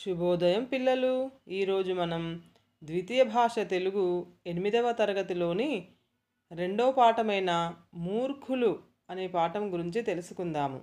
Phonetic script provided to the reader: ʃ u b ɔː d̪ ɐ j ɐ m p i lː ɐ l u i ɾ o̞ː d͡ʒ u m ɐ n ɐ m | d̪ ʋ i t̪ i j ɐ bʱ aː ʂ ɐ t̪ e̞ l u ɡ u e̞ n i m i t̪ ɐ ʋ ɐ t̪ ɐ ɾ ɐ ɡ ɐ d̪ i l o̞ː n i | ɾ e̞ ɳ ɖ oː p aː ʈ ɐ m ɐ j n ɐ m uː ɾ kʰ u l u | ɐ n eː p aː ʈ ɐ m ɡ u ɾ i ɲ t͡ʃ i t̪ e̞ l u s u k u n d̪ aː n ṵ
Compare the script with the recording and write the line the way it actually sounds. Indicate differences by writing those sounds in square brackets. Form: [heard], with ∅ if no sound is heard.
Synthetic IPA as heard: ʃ u b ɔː d̪ ɐ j ɐ m p i lː ɐ l u [iː] ɾ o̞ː d͡ʒ u m ɐ n ɐ m | d̪ ʋ i t̪ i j ɐ bʱ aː ʂ ɐ t̪ e̞ l u ɡ u e̞ n i m i [d̪] ɐ ʋ ɐ t̪ ɐ ɾ ɐ ɡ ɐ [t̪] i l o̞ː n i | ɾ e̞ ɳ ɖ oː p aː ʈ ɐ m ɐ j n ɐ m uː ɾ kʰ u l u | ɐ n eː p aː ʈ ɐ m ɡ u ɾ i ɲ t͡ʃ i t̪ e̞ l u s u k u n d̪ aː [m] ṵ